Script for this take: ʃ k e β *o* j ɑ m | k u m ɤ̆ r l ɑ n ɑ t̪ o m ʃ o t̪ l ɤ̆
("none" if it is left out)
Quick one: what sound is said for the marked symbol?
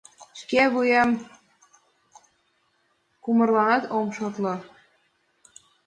u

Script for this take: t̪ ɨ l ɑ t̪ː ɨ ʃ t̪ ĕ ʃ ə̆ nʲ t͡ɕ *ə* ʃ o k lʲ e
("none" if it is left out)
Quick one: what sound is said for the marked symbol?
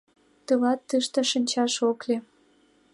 ɑ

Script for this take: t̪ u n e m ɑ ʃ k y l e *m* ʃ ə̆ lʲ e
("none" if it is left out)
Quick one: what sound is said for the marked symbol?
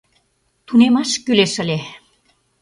none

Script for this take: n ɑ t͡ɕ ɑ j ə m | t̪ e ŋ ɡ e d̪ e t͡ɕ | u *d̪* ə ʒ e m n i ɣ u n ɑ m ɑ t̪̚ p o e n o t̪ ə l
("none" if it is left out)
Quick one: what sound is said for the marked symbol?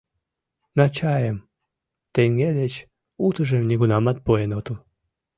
t̪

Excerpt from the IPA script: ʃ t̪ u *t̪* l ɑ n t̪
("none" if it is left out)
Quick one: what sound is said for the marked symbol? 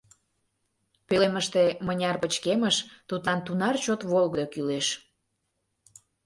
t̪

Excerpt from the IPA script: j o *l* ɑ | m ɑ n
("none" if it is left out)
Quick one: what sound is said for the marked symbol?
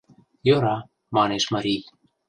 ɾ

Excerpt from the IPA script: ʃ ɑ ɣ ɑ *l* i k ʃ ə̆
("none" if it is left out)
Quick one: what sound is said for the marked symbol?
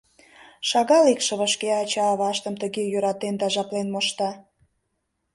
l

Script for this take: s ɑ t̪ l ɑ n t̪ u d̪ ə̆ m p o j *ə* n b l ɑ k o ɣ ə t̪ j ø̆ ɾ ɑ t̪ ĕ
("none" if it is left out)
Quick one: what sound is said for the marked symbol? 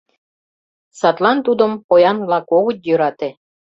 ɑ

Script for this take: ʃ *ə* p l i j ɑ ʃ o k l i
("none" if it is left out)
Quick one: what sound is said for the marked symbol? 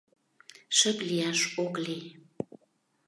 ə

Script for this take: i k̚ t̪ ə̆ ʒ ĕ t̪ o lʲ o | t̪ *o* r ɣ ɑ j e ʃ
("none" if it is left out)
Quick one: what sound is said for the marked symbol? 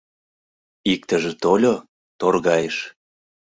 o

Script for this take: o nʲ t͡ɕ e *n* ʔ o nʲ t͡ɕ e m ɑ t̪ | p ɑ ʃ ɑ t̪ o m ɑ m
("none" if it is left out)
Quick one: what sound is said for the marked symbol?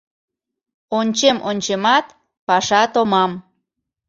m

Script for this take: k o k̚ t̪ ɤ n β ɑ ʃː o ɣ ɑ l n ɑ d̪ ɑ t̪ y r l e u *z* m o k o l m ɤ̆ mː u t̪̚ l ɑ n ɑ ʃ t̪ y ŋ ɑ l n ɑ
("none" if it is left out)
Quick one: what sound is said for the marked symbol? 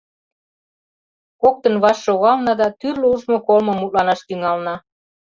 ʒ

